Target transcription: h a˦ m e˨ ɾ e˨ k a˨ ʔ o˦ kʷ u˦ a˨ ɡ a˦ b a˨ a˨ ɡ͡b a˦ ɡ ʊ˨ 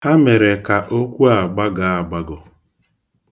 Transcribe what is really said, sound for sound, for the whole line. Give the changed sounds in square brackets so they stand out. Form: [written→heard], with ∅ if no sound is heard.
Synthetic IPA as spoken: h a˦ m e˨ ɾ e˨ k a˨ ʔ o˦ kʷ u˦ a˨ [ɡ→ɡ͡b] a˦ [b→ɡ] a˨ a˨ ɡ͡b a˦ ɡ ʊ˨